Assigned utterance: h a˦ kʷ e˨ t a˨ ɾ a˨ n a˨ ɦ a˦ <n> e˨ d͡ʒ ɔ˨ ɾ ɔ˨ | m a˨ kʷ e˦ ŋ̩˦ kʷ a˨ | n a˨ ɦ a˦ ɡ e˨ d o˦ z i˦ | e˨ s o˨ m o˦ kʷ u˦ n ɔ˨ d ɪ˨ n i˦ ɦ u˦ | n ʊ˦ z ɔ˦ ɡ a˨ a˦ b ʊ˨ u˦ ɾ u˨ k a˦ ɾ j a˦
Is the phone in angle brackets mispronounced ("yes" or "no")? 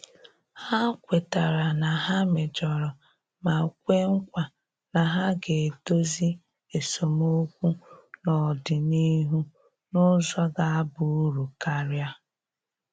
yes